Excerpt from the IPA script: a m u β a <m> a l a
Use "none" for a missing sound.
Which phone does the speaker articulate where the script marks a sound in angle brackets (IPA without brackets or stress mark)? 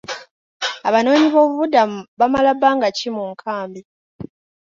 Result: m